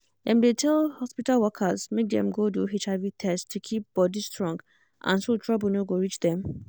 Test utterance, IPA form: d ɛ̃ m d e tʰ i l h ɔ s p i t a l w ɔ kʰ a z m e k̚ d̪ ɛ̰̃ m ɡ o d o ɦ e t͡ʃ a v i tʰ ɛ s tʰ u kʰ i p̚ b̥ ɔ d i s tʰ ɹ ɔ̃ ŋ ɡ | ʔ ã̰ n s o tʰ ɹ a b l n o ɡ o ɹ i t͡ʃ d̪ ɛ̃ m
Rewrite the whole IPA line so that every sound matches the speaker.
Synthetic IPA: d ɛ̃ m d e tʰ ɛ l h ɔ s p i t a l w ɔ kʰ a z m e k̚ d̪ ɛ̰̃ m ɡ o d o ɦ e t͡ʃ a v i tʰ ɛ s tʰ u kʰ i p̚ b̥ ɔ d i s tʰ ɹ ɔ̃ ŋ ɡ | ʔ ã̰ n s o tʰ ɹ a b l n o ɡ o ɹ i t͡ʃ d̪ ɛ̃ m